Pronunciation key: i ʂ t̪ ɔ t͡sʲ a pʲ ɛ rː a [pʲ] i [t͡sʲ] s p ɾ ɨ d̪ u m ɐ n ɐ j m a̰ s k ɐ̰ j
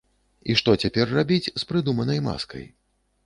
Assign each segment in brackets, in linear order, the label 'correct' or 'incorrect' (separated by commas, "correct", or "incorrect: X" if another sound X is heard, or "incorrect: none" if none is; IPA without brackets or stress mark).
incorrect: bʲ, correct